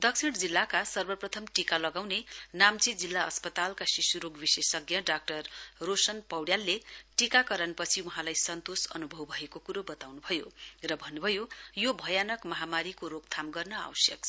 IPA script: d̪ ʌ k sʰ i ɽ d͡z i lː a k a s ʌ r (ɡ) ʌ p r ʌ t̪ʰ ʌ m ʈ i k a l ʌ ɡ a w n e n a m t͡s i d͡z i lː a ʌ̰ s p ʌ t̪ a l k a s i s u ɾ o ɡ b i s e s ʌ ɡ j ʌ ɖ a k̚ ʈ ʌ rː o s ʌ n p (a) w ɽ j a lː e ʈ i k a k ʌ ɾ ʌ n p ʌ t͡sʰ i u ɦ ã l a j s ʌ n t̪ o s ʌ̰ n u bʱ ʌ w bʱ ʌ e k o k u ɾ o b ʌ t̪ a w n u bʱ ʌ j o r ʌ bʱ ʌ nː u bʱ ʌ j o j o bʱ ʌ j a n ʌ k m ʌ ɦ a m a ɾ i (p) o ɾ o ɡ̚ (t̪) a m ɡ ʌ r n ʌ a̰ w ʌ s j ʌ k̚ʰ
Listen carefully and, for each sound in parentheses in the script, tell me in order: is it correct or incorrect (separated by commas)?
incorrect, incorrect, incorrect, incorrect